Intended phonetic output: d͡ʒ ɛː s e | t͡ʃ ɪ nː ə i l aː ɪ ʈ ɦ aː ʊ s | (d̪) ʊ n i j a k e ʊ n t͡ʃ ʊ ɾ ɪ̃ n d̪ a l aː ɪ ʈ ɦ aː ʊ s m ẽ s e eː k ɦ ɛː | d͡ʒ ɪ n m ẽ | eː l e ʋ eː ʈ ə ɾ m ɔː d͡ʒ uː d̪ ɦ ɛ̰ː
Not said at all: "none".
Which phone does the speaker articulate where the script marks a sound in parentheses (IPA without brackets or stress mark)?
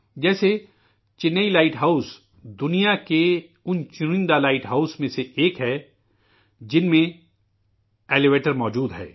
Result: d̪